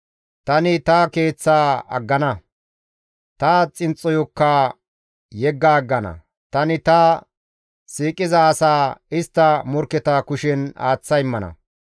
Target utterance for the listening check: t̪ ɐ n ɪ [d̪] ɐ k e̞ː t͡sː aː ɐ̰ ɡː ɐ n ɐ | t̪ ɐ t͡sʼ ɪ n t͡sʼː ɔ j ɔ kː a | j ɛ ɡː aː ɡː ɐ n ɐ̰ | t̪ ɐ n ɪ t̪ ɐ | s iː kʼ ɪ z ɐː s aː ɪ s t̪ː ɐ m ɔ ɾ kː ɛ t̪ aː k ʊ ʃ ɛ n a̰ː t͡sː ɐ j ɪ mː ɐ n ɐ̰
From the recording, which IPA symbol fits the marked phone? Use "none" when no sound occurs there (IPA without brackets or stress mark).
t̪